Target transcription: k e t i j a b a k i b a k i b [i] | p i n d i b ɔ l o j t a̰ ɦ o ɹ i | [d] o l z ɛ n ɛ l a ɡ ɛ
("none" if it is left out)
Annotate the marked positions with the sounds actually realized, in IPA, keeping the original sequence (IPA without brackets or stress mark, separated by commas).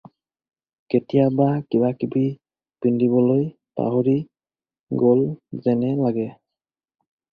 i, ɡ